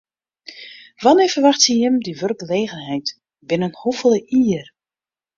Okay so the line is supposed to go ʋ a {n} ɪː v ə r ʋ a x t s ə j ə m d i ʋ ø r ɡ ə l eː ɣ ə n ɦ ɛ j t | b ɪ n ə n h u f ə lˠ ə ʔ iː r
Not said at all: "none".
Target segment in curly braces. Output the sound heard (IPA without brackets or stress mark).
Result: n